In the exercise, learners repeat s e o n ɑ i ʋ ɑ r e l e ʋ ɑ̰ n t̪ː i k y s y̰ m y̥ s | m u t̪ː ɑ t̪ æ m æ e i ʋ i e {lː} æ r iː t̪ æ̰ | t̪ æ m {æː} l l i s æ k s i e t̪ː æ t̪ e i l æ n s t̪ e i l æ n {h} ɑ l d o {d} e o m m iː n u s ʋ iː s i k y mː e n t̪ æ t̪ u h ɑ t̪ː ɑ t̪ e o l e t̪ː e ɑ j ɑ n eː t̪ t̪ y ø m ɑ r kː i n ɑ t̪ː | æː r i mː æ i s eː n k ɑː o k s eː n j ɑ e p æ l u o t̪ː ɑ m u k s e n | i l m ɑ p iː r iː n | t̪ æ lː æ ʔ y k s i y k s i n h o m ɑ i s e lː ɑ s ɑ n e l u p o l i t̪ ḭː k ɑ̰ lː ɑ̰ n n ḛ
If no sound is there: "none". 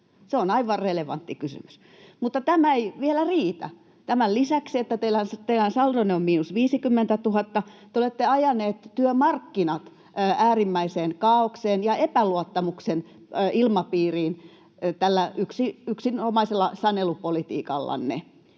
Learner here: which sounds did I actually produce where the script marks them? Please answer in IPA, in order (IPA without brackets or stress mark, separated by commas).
l, æ, s, n